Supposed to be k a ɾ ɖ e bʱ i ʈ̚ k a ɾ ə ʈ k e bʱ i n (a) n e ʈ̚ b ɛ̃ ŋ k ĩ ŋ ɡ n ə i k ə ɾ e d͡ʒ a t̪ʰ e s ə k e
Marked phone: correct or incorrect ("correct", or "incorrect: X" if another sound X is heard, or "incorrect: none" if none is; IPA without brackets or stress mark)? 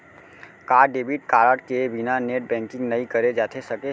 correct